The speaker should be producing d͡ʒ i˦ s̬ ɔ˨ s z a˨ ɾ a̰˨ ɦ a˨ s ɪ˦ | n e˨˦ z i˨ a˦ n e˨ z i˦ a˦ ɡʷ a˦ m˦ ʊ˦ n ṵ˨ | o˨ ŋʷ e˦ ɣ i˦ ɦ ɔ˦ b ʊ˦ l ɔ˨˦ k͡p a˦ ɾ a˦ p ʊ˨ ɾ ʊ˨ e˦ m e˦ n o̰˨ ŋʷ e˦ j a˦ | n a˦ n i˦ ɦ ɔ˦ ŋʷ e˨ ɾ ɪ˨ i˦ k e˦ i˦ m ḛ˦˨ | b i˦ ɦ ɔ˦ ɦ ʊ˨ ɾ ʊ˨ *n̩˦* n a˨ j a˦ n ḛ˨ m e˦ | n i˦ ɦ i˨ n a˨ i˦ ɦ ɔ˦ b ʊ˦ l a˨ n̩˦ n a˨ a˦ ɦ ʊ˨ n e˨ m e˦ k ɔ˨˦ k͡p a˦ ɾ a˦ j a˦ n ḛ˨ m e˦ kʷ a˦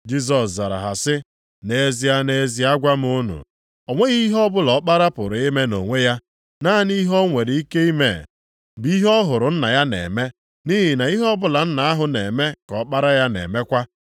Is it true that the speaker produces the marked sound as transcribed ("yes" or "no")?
yes